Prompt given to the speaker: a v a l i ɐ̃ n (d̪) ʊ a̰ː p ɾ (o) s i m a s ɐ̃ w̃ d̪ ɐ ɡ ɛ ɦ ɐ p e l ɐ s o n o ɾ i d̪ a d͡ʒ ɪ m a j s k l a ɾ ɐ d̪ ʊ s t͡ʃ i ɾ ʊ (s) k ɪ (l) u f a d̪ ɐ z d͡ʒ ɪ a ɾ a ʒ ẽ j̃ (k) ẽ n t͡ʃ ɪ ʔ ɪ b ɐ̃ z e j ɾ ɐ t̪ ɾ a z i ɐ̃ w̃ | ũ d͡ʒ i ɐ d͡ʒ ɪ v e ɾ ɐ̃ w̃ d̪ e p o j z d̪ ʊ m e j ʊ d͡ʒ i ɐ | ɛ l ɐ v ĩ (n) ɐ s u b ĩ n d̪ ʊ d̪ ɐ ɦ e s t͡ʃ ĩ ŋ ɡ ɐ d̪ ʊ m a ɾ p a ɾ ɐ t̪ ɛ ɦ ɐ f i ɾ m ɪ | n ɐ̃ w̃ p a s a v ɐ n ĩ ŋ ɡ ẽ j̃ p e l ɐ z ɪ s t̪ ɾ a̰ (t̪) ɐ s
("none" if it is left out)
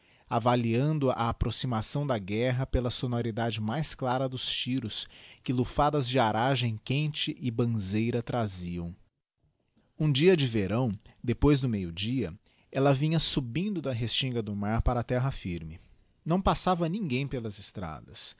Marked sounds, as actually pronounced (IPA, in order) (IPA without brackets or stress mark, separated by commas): d̪, o, s, l, k, ɲ, d̪